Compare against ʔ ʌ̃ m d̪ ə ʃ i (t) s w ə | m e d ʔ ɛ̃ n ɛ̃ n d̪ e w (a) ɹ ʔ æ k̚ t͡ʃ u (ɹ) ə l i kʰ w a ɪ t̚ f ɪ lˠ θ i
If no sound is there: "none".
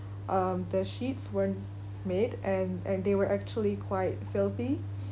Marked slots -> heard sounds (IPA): t, ə, none

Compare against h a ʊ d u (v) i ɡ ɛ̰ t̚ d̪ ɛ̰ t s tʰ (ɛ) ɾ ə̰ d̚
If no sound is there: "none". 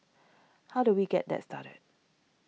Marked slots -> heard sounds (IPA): w, a

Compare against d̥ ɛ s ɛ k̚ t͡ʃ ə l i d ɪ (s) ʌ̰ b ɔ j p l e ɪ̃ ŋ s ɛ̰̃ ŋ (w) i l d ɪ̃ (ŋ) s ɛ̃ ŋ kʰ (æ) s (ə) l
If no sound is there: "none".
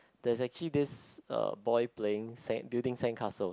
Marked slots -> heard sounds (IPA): s, b, ŋ, a, ə

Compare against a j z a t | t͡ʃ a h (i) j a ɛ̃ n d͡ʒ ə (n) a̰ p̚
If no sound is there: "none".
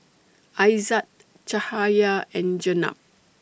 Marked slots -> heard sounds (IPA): a, n

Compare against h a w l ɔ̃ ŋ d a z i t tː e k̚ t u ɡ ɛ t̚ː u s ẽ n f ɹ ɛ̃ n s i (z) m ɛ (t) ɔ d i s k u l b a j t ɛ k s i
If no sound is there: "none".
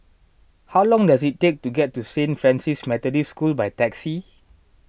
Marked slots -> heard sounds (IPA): s, t

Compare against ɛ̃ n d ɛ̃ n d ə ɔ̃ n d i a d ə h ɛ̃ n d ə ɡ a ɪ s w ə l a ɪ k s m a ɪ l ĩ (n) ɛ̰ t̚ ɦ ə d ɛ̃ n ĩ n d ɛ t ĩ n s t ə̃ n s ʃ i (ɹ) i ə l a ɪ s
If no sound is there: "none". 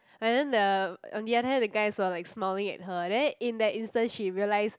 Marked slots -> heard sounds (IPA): ŋ, ɹ

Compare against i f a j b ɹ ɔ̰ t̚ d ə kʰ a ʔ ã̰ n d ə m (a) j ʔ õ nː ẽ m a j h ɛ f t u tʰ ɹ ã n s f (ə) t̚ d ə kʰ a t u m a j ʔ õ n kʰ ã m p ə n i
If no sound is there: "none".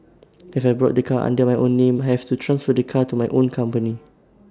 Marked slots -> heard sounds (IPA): a, ə

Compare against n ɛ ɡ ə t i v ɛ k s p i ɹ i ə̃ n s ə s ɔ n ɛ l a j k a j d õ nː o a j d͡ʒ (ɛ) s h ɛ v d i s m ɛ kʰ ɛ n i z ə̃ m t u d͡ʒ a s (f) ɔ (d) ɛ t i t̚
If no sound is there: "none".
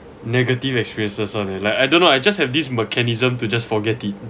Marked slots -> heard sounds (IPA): a, f, ɡ

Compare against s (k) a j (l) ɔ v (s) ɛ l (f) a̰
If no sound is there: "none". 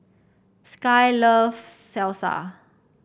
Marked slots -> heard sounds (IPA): k, l, s, s

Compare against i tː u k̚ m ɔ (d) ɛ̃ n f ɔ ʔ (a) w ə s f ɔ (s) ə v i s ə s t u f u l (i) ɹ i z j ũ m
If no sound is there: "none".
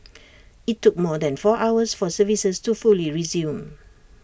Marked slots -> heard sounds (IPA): d, a, s, i

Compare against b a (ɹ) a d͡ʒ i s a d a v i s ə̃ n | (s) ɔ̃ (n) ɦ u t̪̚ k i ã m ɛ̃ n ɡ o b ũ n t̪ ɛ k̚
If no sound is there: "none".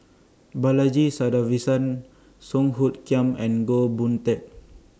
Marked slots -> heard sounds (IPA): l, s, ŋ

